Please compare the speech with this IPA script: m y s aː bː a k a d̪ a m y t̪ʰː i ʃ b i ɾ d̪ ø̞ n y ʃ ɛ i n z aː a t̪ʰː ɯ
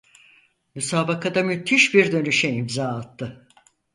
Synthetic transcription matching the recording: m y s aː b a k a d̪ a m y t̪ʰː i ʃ b i ɾ d̪ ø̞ n y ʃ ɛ i m z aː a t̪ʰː ɯ